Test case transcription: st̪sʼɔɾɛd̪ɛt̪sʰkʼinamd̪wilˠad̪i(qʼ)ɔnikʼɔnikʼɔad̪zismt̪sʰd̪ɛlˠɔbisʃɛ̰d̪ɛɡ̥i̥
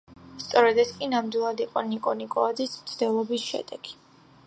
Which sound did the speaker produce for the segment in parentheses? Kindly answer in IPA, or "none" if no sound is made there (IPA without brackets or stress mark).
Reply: qʼ